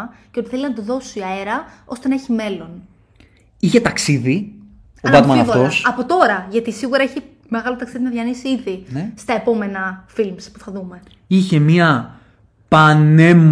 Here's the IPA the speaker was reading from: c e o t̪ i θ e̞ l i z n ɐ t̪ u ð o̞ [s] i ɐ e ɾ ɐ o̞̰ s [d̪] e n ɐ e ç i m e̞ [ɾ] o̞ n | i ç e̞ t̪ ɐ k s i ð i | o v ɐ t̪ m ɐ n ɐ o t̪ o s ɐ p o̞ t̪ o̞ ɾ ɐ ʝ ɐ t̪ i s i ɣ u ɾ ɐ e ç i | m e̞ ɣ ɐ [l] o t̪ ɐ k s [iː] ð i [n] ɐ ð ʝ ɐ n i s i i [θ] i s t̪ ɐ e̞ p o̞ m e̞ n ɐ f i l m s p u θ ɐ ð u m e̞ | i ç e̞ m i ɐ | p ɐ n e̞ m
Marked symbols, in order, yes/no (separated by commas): yes, no, no, yes, no, yes, no